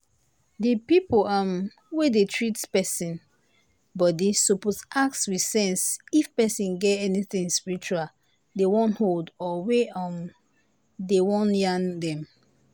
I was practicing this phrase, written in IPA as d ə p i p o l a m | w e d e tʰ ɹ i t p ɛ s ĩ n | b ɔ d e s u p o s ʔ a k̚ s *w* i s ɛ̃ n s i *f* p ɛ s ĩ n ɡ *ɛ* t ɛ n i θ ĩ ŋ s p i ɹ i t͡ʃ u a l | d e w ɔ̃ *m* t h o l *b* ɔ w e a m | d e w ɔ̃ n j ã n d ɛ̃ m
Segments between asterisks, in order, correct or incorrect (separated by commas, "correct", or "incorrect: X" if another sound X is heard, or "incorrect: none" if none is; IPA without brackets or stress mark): correct, correct, correct, incorrect: n, incorrect: d